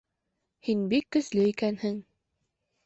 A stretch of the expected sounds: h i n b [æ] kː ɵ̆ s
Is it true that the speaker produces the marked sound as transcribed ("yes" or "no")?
no